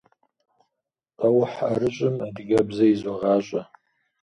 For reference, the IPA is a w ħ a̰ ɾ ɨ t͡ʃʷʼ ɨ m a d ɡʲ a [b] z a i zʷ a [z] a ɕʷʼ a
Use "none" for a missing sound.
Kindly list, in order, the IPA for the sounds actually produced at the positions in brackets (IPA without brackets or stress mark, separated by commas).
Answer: b, ʁ